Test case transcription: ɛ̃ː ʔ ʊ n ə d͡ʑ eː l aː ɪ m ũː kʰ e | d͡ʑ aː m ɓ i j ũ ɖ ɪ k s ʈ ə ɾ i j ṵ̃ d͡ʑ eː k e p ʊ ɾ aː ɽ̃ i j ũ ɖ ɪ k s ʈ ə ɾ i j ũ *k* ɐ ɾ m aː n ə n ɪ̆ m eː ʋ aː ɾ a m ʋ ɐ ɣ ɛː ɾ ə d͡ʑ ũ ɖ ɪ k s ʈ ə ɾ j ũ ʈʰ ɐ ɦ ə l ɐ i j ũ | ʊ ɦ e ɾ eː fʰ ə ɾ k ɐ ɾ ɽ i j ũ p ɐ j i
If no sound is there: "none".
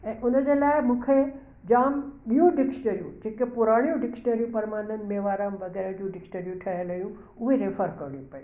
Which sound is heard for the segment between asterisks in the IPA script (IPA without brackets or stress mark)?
p